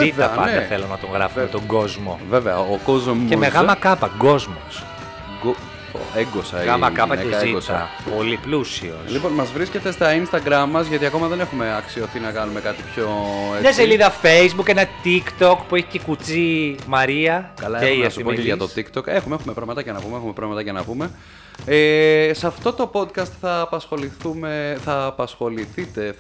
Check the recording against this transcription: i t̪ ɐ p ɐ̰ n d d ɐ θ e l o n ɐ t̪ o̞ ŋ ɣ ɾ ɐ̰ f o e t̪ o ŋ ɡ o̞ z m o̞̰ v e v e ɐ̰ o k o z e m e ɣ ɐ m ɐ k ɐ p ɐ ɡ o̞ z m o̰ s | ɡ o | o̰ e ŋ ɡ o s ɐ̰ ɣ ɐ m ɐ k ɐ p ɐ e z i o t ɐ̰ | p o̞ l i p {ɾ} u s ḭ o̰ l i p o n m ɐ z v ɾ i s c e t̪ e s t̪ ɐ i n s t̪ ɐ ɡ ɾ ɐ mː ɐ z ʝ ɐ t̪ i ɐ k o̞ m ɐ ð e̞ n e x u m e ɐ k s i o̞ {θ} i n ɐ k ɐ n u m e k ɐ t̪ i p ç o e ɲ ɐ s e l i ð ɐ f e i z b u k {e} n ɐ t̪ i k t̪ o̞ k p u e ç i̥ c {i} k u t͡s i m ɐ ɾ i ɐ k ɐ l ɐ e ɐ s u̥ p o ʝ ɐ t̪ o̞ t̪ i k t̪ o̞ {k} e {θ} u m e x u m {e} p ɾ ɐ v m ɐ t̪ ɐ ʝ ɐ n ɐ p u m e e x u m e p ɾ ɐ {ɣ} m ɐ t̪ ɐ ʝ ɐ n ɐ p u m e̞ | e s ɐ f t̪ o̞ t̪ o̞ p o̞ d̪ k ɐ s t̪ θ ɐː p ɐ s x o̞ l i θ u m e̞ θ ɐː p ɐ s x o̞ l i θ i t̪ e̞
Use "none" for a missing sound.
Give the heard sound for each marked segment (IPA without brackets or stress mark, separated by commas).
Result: l, θ, e, e, k, x, e, v